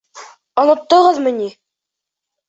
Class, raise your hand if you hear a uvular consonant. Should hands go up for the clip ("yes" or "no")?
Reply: yes